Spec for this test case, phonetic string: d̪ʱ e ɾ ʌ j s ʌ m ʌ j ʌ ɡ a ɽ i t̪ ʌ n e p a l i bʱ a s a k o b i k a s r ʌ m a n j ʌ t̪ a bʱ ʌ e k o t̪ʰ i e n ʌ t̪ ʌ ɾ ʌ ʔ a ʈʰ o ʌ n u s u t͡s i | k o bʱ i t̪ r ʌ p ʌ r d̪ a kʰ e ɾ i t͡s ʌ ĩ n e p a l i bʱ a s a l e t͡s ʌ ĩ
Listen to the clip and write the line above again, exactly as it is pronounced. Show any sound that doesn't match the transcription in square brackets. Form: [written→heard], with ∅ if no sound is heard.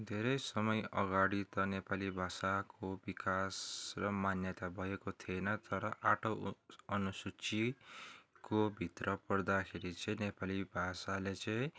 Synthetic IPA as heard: d̪ʱ e ɾ ʌ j s ʌ m ʌ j ʌ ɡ a ɽ i t̪ ʌ n e p a l i bʱ a s a k o b i k a s r ʌ m a n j ʌ t̪ a bʱ ʌ e k o t̪ʰ i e n ʌ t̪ ʌ ɾ ʌ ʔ a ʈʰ o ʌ n u s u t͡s i | k o bʱ i t̪ r ʌ p ʌ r d̪ a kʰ e ɾ i t͡s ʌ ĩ n e p a l i bʱ a s a l e t͡s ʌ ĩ